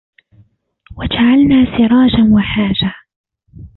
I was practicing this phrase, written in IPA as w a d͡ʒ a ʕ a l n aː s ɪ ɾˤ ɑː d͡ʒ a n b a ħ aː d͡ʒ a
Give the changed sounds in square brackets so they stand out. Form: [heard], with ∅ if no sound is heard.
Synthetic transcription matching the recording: w a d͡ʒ a ʕ a l n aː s ɪ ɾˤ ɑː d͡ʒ a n [w] a ħ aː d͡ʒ a

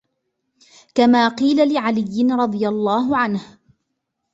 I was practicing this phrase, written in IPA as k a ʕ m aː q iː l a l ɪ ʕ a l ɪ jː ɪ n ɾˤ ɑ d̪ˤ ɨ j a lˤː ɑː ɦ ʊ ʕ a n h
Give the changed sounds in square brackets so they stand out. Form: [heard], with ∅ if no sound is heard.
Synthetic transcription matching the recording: k a [∅] m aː q iː l a l ɪ ʕ a l ɪ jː ɪ n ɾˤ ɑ d̪ˤ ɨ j a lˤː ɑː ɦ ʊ ʕ a n h

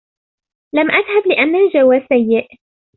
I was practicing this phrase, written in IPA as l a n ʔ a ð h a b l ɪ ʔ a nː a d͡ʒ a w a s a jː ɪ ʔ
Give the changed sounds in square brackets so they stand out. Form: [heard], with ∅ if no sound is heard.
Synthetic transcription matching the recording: l a [m] ʔ a ð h a b l ɪ ʔ a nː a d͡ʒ a w a s a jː ɪ ʔ

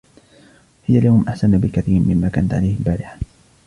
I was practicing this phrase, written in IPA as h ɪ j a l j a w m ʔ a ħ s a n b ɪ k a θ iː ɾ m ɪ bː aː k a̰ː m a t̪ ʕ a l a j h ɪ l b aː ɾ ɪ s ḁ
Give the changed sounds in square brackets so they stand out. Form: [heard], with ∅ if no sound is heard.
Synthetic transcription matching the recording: h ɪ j a l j a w m ʔ a ħ s a n b ɪ k a θ iː ɾ m ɪ [mː] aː k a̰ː [n] a t̪ ʕ a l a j h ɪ l b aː ɾ ɪ [ħ] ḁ

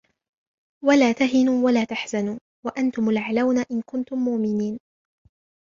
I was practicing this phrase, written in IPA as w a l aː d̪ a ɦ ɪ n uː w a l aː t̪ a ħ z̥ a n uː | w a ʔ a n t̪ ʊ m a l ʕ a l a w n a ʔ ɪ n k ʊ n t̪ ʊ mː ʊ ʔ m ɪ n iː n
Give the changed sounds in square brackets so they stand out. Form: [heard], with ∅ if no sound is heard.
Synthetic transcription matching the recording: w a l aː [t̪] a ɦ ɪ n uː w a l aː t̪ a ħ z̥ a n uː | w a ʔ a n t̪ ʊ m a l ʕ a l a w n a ʔ ɪ n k ʊ n t̪ ʊ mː ʊ ʔ m ɪ n iː n

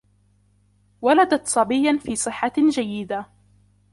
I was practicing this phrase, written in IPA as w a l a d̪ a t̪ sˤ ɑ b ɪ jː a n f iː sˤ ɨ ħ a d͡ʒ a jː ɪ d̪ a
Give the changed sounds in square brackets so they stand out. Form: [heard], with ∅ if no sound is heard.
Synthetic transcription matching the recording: w a l a d̪ a t̪ sˤ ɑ b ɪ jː a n f iː sˤ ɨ [ħː] a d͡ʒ a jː ɪ d̪ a

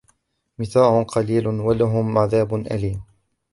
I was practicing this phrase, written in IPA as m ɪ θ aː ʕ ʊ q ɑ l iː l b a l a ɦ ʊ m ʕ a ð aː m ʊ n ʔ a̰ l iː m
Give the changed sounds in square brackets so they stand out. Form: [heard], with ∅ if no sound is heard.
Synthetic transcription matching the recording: m ɪ θ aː ʕ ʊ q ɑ l iː l [w] a l a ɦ ʊ m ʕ a ð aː [b] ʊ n ʔ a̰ l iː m

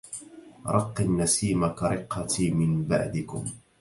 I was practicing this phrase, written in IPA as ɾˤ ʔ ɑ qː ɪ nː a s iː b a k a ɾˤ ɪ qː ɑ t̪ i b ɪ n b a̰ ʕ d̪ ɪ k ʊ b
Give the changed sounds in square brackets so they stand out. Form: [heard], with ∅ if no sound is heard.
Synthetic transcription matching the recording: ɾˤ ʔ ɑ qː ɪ nː a s iː [m] a k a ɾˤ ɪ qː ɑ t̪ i [m] ɪ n b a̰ ʕ d̪ ɪ k ʊ [m]

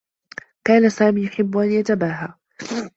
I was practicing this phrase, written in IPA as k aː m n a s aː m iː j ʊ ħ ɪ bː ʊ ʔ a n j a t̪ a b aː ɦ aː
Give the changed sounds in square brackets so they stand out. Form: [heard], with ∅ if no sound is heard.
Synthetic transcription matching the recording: k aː [∅] n a s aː m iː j ʊ ħ ɪ bː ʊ ʔ a n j a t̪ a b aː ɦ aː

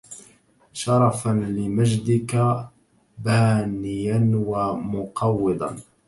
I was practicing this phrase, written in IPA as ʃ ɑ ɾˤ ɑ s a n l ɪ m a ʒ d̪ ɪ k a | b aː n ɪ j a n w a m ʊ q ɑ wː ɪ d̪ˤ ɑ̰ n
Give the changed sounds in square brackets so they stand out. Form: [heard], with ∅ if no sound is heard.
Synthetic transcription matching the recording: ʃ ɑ ɾˤ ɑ [f] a n l ɪ m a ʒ d̪ ɪ k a | b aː n ɪ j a n w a m ʊ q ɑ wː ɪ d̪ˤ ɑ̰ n

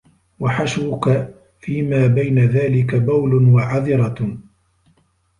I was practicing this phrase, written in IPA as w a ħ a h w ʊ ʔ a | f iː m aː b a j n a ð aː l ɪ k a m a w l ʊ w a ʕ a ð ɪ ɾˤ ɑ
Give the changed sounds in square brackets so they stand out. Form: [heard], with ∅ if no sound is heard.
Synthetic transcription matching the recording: w a ħ a [ʃ] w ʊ [k] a | f iː m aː b a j n a ð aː l ɪ k a [b] a w l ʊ w a ʕ a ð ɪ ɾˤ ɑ

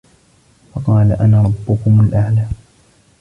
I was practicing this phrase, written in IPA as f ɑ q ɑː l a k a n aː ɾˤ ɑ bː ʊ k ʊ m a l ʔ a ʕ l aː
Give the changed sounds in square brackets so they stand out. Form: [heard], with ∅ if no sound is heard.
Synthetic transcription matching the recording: f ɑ q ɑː l a [ʔ] a n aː ɾˤ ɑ bː ʊ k ʊ m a l ʔ a ʕ l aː

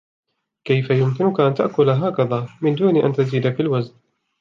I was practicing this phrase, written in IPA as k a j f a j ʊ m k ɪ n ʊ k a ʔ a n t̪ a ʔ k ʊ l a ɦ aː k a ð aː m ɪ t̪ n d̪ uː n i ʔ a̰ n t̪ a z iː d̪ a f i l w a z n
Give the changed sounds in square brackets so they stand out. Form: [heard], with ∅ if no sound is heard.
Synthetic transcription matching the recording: k a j f a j ʊ m k ɪ n ʊ k a ʔ a n t̪ a ʔ k ʊ l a ɦ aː k a ð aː m ɪ [∅] n d̪ uː n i ʔ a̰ n t̪ a z iː d̪ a f i l w a z n

